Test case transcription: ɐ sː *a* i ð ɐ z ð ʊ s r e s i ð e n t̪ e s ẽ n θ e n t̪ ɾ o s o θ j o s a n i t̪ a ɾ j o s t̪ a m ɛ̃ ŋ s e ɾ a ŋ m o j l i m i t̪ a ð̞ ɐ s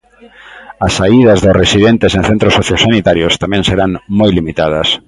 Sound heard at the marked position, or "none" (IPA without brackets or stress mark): a